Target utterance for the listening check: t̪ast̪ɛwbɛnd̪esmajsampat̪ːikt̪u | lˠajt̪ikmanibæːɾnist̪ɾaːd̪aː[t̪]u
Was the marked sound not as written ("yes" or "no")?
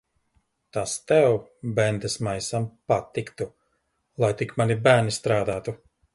no